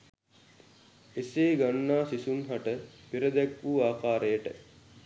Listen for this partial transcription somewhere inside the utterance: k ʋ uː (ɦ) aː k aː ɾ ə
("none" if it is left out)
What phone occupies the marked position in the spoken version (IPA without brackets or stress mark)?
none